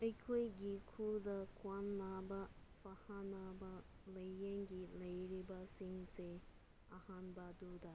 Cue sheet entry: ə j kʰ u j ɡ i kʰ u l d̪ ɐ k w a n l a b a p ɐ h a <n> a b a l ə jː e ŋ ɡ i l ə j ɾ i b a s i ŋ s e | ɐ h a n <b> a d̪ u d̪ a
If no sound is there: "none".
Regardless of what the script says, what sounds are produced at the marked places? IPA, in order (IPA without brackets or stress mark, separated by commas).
n, b